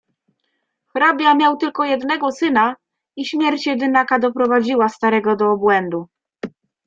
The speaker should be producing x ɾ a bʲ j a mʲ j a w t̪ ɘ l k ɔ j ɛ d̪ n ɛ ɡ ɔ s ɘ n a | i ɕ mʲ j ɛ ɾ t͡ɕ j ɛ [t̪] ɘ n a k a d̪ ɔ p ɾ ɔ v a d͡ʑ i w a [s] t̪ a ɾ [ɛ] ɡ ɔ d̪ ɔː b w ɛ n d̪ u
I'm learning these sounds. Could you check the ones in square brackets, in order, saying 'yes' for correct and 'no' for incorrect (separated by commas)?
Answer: no, yes, yes